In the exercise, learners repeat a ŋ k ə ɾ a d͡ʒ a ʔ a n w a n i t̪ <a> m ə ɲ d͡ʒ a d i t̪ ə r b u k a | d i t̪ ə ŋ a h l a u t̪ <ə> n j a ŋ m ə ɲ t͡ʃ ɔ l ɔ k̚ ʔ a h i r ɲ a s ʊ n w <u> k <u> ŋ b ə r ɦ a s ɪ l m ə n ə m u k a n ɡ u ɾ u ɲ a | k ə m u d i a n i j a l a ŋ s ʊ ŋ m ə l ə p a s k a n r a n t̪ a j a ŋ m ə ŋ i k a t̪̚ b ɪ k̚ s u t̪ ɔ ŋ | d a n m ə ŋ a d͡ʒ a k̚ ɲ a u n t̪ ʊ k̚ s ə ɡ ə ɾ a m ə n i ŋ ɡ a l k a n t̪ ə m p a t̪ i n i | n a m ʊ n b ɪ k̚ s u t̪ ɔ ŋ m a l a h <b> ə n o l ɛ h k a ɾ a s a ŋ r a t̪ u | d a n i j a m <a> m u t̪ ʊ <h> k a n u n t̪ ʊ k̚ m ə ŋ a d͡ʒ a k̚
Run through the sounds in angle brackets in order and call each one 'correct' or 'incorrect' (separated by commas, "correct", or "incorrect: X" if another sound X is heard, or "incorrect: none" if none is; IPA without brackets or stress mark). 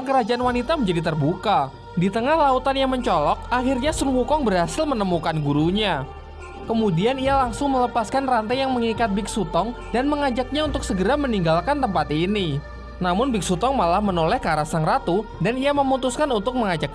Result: correct, incorrect: a, correct, incorrect: ɔ, incorrect: m, incorrect: ə, incorrect: s